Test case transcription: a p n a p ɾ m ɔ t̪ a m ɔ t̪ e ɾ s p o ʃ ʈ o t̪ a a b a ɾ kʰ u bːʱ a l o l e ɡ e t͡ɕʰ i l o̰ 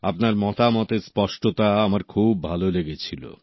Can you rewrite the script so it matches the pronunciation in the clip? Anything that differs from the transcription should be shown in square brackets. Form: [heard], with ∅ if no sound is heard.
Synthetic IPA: a p n a [∅] ɾ m ɔ t̪ a m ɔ t̪ e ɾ s p [ɔ] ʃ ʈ o t̪ a a [m] a ɾ kʰ u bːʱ a l o l e ɡ e t͡ɕʰ i l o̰